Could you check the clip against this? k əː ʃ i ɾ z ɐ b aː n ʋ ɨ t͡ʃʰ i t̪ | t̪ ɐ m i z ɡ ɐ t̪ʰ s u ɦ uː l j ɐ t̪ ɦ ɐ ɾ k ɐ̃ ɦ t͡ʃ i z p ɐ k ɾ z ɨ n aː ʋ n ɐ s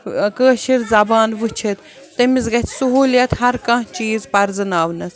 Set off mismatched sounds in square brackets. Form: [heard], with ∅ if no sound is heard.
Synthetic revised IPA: k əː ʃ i ɾ z ɐ b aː n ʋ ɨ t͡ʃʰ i t̪ | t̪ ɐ m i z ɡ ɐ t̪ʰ s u ɦ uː l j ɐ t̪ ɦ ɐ ɾ k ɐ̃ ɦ t͡ʃ [iː] z p ɐ [∅] ɾ z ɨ n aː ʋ n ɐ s